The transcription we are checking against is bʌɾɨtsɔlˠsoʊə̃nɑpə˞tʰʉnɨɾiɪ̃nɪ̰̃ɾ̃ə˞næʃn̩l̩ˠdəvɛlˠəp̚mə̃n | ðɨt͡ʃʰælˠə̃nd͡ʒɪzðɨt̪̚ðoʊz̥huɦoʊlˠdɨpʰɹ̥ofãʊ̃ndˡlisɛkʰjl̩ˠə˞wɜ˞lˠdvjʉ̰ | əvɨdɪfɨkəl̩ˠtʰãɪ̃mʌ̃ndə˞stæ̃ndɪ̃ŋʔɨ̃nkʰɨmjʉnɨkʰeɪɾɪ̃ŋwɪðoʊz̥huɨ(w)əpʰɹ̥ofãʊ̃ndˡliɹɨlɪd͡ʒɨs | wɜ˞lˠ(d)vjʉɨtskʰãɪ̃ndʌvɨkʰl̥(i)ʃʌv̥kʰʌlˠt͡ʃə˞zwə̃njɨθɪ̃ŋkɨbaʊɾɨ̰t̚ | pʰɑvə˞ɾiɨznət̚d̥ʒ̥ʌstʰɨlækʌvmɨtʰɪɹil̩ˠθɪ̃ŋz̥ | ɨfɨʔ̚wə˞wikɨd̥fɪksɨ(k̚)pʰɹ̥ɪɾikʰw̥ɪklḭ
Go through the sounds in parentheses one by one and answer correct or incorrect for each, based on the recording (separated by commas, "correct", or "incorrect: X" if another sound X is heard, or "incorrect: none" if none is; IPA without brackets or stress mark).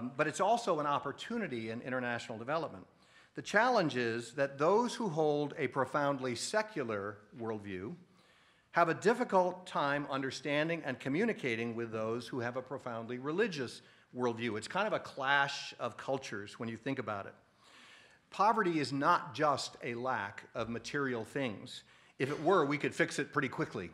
incorrect: v, correct, incorrect: æ, incorrect: t̚